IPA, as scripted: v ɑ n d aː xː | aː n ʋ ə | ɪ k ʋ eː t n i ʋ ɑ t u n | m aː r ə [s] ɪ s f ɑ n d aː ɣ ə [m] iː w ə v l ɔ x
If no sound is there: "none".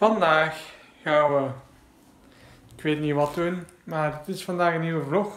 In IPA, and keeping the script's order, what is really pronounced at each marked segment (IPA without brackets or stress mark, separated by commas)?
t, n